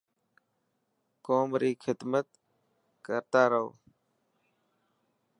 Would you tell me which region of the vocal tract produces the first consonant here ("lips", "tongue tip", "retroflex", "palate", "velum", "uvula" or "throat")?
velum